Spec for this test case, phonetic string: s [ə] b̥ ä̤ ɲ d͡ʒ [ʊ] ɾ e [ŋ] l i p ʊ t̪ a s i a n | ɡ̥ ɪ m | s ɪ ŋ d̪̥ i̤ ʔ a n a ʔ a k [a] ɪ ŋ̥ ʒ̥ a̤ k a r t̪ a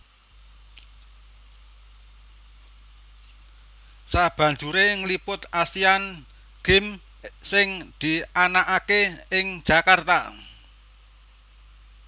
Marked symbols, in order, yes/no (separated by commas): no, no, yes, no